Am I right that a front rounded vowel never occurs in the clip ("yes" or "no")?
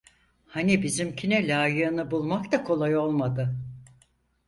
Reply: yes